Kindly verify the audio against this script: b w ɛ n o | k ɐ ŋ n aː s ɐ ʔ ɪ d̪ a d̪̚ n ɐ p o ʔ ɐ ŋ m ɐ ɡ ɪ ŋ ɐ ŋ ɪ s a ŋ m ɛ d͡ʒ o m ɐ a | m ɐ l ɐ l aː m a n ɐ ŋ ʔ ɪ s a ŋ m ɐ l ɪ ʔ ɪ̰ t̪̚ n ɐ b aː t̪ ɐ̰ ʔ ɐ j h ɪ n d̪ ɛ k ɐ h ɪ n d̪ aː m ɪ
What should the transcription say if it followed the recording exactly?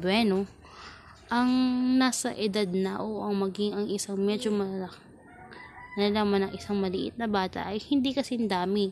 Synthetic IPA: b w ɛ n o | ʔ ɐ ŋ n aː s ɐ ʔ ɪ d̪ a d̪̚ n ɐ ʔ o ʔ ɐ ŋ m ɐ ɡ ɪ ŋ ɐ ŋ ɪ s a ŋ m ɛ d͡ʒ o m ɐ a | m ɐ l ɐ l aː m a n ɐ ŋ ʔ ɪ s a ŋ m ɐ l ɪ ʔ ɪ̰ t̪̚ n ɐ b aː t̪ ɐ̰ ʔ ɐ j h ɪ n d̪ i k ɐ s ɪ n d̪ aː m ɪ